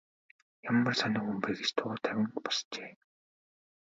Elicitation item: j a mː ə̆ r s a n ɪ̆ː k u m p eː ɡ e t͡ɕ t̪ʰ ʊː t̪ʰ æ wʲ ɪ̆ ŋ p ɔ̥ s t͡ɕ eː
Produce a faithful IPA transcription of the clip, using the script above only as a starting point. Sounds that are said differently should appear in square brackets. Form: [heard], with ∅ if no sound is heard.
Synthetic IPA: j a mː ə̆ r s a n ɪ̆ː [x] u m p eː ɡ e t͡ɕ t̪ʰ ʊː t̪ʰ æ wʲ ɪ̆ ŋ p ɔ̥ s t͡ɕ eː